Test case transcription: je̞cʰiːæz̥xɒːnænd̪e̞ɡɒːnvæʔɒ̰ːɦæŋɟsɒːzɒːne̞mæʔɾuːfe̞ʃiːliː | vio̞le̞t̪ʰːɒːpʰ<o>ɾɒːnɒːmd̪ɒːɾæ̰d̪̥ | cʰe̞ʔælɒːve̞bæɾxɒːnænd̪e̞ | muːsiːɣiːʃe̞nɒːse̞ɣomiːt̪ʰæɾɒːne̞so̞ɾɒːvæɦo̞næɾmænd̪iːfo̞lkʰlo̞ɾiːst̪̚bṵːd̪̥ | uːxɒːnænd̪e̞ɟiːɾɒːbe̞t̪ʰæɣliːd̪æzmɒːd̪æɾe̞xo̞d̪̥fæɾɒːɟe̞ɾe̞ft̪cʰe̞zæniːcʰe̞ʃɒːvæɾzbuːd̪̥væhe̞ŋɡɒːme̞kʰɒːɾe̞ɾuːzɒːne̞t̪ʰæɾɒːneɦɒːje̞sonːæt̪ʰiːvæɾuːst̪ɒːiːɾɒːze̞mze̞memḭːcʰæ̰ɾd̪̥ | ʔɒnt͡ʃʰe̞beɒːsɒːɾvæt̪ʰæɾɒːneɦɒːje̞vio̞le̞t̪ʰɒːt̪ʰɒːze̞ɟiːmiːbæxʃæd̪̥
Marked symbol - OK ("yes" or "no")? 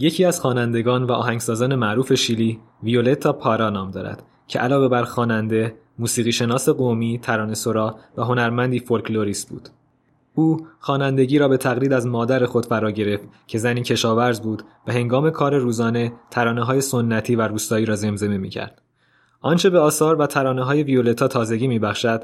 no